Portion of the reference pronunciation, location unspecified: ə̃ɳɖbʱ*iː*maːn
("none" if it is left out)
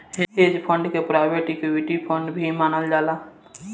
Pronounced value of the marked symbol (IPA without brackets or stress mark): i